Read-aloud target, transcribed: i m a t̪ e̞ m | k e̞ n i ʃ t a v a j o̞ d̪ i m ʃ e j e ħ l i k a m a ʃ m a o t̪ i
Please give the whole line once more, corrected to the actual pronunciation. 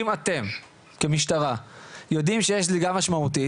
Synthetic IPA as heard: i m a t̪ e̞ m | k e̞ m i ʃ t a ʁ a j o̞ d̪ i m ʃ e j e ʃ l i ɡ a m a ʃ m a u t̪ i